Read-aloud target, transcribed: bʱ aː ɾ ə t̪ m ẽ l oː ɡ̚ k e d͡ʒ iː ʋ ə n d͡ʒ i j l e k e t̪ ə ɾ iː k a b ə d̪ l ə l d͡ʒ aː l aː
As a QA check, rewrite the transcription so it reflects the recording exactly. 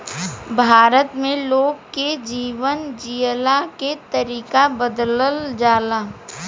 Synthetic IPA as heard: bʱ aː ɾ ə t̪ m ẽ l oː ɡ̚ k e d͡ʒ iː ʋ ə n d͡ʒ i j l a k e t̪ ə ɾ iː k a b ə d̪ l ə l d͡ʒ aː l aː